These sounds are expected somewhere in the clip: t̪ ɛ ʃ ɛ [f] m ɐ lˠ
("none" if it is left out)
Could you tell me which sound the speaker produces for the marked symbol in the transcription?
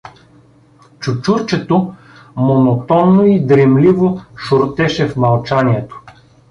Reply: f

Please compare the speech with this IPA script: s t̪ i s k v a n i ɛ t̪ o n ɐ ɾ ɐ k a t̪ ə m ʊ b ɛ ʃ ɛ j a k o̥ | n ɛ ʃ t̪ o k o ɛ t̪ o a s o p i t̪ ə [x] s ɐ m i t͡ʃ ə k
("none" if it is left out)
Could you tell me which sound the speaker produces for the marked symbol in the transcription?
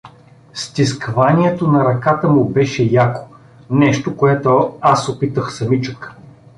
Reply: x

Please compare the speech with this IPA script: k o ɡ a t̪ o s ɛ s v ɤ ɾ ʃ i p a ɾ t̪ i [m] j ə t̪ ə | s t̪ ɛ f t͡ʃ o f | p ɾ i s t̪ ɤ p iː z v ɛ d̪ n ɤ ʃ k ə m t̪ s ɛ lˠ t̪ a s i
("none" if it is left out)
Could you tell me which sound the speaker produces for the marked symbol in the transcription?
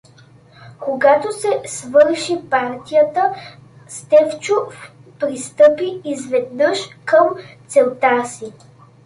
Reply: none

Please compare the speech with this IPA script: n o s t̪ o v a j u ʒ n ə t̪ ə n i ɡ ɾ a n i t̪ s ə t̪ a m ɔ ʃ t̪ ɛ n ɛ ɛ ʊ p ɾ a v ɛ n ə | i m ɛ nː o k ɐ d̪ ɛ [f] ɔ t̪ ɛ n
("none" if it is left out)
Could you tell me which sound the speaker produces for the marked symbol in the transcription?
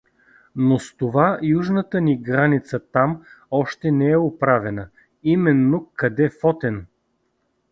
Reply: f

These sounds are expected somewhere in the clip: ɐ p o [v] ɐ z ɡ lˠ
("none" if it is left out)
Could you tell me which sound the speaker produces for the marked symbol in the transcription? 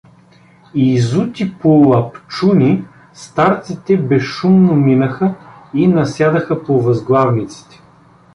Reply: v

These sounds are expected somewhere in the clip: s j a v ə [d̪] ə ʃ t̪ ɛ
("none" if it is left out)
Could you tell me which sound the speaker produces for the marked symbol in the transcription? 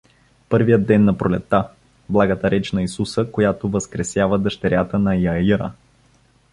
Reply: d̪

